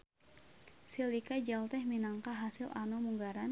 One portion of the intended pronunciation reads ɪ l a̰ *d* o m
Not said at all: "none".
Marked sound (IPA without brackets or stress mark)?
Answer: n